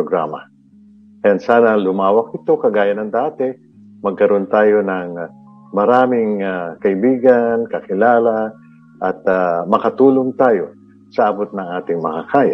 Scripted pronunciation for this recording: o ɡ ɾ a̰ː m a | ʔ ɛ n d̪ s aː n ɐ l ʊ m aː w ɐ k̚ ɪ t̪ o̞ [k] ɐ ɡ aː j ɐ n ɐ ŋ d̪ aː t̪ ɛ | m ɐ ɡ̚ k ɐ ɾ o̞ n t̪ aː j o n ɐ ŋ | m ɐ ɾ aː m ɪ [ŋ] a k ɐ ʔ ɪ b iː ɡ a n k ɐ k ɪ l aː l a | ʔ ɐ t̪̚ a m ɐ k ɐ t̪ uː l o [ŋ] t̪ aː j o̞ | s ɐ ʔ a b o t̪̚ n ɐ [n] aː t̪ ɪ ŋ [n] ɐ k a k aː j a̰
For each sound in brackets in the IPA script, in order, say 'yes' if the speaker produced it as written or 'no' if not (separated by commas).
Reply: yes, yes, yes, no, no